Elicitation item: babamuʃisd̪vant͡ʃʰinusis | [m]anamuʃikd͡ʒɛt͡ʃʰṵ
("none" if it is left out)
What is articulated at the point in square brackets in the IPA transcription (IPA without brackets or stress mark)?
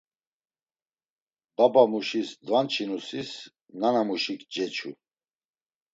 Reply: n